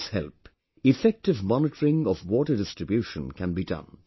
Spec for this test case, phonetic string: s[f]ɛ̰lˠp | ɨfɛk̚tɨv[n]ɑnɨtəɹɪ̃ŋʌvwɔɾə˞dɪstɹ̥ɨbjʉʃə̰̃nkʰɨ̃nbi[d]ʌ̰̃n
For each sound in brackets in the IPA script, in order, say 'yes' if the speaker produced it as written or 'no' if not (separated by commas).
no, no, yes